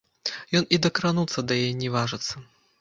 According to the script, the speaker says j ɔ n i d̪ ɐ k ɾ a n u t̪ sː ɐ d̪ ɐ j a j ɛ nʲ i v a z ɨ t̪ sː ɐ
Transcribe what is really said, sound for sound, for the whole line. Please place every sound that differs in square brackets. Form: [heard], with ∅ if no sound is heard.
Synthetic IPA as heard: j ɔ n i d̪ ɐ k ɾ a n u t̪ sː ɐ d̪ ɐ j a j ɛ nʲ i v a [ʐ] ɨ t̪ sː ɐ